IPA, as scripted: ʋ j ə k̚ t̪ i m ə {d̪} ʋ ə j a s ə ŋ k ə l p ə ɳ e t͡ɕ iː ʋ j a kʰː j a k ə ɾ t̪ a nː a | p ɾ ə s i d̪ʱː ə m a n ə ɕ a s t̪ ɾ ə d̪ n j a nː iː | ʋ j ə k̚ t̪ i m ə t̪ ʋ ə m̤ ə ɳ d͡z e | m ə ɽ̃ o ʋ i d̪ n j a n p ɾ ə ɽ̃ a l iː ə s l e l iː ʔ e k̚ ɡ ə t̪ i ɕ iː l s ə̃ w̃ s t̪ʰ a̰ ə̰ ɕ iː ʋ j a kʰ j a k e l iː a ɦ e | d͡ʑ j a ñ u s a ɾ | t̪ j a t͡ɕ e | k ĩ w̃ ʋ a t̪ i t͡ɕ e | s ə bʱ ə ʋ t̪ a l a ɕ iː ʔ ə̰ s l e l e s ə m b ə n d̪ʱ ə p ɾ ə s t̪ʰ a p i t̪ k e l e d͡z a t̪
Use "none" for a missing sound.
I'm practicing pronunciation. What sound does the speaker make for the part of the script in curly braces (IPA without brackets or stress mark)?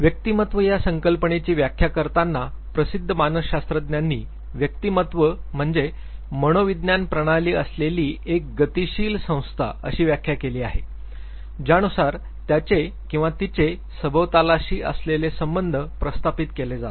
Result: t̪